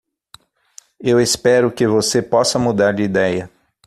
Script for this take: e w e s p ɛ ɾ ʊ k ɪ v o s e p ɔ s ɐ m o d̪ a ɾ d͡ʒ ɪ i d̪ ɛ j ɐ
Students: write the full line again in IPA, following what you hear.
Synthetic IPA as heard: e w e s p ɛ ɾ ʊ k ɪ v o s e p ɔ s ɐ m u d̪ a ɾ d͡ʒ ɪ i d̪ ɛ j ɐ